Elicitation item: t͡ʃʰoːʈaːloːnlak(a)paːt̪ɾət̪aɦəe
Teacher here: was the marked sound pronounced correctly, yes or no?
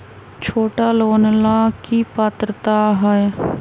no